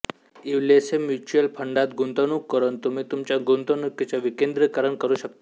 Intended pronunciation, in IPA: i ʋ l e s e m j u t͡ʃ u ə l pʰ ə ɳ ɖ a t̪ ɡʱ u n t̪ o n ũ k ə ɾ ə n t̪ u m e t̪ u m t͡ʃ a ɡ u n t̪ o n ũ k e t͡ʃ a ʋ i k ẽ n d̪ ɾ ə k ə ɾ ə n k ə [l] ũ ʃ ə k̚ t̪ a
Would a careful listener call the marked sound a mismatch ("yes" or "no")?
yes